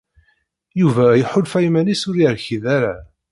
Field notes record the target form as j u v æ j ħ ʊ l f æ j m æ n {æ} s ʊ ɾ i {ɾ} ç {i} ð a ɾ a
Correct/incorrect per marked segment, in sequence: incorrect: i, correct, correct

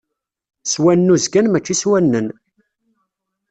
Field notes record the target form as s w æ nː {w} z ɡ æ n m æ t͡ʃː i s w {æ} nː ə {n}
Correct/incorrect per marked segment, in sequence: incorrect: u, correct, correct

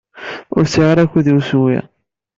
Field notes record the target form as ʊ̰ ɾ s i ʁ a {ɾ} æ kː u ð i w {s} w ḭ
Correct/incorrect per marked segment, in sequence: correct, correct

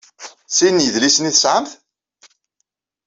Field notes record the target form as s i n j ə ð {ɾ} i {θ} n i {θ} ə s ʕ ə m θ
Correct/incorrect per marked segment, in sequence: incorrect: l, incorrect: s, correct

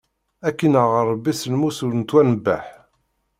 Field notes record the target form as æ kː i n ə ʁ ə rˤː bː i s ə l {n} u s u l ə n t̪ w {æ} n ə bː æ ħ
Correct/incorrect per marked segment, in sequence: incorrect: m, correct

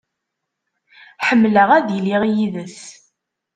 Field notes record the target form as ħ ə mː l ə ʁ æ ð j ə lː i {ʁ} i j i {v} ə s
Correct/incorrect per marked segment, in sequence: correct, incorrect: ð

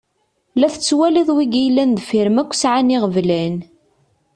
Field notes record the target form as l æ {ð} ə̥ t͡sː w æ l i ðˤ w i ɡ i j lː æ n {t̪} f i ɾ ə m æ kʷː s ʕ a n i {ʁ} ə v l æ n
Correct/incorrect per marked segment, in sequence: incorrect: θ, incorrect: d̪, correct

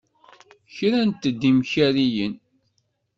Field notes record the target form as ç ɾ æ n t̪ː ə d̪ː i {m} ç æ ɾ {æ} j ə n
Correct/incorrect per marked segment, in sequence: correct, incorrect: i

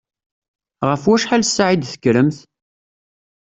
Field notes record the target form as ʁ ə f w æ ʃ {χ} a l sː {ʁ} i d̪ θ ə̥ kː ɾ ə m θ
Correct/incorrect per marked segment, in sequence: incorrect: ħ, incorrect: ʕ

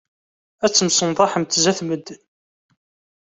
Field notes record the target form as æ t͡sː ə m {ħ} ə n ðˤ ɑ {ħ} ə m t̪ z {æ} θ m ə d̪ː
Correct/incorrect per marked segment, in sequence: incorrect: s, correct, correct

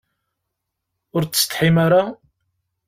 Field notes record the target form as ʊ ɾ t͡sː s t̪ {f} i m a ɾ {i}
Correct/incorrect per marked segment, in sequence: incorrect: ħ, incorrect: a

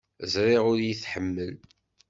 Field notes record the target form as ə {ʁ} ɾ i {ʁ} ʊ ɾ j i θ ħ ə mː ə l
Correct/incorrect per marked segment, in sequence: incorrect: z, correct

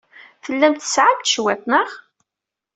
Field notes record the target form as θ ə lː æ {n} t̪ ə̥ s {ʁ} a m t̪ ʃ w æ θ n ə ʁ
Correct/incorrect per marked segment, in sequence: incorrect: m, incorrect: ʕ

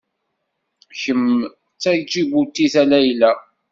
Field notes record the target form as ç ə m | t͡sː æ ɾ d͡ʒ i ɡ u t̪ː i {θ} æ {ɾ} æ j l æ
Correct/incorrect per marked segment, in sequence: correct, incorrect: l

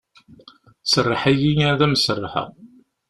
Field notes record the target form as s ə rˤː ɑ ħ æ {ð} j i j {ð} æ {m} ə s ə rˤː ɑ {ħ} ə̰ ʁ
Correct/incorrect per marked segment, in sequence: incorrect: none, correct, correct, correct

